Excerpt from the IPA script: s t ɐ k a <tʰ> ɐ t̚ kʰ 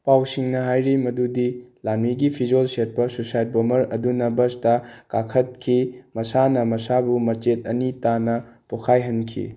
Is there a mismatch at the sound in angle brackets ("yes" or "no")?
yes